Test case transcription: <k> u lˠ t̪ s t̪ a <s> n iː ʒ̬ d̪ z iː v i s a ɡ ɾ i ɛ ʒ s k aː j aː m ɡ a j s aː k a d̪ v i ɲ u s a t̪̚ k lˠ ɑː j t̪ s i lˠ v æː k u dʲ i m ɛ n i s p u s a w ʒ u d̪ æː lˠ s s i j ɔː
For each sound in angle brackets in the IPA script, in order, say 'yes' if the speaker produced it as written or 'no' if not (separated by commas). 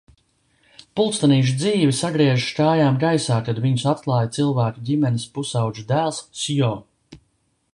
no, no